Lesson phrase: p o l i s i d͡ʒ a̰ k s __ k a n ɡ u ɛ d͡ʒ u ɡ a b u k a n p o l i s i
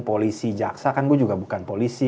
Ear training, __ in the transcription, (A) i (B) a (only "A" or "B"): B